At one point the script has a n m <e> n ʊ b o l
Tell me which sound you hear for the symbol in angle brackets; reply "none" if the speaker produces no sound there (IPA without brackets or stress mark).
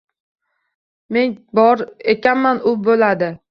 a